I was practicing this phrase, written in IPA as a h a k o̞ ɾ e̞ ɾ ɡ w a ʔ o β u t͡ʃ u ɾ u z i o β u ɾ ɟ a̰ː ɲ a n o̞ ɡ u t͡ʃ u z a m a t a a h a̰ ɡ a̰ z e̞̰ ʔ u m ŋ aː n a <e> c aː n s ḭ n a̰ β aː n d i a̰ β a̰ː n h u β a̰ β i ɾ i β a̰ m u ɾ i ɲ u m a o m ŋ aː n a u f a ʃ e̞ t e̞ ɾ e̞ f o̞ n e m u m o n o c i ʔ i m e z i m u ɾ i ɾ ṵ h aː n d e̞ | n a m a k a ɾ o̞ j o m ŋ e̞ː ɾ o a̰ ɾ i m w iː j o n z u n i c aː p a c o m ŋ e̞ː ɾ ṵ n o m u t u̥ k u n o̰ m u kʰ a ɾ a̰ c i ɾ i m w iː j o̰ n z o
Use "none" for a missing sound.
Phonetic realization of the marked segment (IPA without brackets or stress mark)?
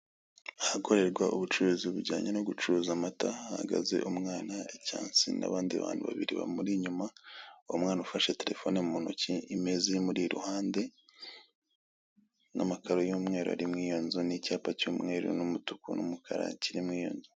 e